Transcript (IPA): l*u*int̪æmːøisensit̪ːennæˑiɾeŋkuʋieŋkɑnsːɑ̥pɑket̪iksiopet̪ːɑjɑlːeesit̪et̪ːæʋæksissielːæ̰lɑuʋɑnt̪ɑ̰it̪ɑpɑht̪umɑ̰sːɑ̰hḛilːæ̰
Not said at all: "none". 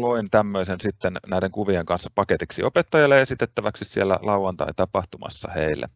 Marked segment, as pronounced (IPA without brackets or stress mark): o